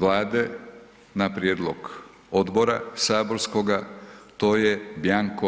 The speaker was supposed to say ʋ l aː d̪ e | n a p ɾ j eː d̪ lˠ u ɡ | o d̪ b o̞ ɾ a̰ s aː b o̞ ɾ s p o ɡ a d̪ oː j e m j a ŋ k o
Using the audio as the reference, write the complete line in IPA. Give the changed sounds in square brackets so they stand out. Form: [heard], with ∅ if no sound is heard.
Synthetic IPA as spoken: ʋ l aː d̪ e | n a p ɾ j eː d̪ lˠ [o] ɡ | o d̪ b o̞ ɾ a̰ s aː b o̞ ɾ s [k] o ɡ a [t̪] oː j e [b] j a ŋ k o